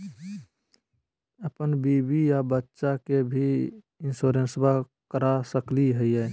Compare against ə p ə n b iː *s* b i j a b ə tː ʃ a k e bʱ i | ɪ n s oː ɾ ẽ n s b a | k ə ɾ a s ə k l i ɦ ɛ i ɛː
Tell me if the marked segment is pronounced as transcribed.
no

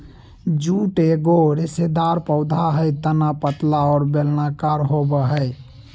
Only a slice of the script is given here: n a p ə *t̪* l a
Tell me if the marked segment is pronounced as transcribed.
yes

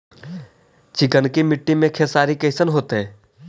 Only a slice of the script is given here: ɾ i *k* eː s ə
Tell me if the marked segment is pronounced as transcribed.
yes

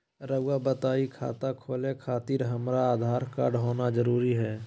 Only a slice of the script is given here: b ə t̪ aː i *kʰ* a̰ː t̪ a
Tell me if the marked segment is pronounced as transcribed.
yes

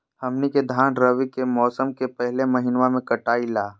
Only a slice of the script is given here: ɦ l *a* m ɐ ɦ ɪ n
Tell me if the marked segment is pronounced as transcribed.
no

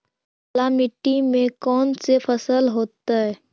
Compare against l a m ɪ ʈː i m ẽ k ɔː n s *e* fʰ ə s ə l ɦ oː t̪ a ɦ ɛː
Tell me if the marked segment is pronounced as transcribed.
yes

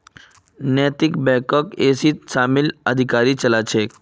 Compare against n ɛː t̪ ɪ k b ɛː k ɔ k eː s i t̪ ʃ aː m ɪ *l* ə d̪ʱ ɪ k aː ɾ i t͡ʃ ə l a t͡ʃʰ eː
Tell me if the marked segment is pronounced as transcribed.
yes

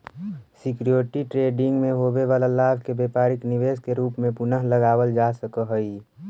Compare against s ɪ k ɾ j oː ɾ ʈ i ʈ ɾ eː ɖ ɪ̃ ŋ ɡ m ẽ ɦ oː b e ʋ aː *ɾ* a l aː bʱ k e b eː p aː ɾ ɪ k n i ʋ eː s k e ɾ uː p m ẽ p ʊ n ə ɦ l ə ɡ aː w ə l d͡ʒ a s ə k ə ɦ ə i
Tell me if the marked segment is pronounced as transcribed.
no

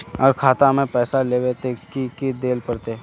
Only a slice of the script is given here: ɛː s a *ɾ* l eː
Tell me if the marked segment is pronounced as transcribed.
no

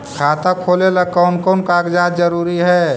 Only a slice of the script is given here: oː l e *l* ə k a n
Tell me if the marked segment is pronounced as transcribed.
yes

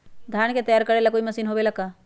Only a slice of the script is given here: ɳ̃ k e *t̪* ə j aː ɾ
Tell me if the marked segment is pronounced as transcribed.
yes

